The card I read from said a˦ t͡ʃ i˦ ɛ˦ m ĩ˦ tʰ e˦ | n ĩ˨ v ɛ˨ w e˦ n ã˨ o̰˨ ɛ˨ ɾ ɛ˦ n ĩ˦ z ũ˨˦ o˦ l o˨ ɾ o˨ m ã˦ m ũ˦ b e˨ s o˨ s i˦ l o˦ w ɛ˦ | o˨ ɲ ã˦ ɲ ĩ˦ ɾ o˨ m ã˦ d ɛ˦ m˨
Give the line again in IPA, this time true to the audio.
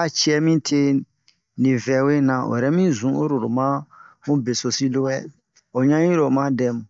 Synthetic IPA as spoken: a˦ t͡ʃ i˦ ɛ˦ m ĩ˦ tʰ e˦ | n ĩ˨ v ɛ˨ w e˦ n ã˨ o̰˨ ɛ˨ ɾ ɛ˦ m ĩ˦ z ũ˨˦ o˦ ɾ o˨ ɾ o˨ m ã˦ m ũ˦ b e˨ s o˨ s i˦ l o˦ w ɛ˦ | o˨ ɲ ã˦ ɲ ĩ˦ ɾ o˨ m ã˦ d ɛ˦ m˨